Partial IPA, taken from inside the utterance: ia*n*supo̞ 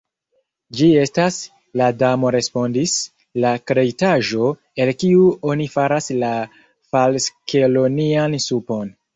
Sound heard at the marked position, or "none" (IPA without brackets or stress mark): n